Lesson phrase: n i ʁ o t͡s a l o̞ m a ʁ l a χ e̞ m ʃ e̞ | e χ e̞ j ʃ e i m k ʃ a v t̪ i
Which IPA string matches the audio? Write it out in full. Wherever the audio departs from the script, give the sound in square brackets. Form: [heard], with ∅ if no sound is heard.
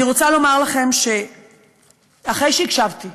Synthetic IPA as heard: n i ʁ o t͡s a l o̞ m a ʁ l a χ e̞ m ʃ e̞ | [a] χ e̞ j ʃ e i [∅] k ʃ a v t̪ i